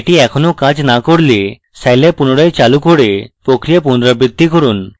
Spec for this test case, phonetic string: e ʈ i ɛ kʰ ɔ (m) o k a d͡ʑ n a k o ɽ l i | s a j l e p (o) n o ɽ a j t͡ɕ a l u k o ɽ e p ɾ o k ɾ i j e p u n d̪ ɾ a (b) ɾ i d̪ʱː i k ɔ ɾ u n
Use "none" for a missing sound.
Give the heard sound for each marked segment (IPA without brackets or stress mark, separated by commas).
n, u, b